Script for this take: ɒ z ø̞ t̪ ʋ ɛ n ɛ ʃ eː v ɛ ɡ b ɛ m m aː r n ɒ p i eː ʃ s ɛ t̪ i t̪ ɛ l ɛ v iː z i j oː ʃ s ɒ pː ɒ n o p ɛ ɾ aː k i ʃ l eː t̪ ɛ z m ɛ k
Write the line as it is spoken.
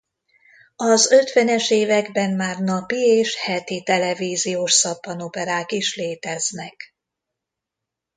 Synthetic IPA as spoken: ɒ z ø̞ t̪ ʋ ɛ n ɛ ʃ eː v ɛ ɡ b ɛ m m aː r n ɒ p i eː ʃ h ɛ t̪ i t̪ ɛ l ɛ v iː z i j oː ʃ s ɒ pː ɒ n o p ɛ ɾ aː k i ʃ l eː t̪ ɛ z n ɛ k